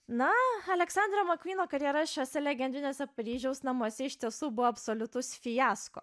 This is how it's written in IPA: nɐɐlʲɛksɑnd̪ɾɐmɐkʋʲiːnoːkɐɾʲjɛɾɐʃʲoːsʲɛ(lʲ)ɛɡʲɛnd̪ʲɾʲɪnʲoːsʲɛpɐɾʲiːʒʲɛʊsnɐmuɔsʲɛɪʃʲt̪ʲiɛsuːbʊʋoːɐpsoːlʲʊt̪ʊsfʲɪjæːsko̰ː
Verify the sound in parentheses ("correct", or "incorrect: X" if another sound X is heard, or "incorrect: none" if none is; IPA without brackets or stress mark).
correct